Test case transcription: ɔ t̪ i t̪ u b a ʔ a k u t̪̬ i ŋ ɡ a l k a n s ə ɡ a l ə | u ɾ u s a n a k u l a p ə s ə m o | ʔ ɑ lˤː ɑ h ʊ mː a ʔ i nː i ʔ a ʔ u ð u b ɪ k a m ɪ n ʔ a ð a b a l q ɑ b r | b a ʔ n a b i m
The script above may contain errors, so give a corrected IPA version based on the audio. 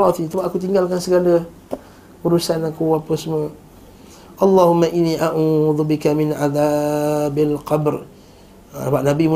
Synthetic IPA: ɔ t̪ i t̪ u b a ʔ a k u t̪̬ i ŋ ɡ a l k a n s ə ɡ a l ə | u ɾ u s a n a k u a p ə s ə m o | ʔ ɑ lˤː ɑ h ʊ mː a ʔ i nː i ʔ a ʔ u ð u b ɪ k a m ɪ n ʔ a ð a b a l q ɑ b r | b a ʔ n a b i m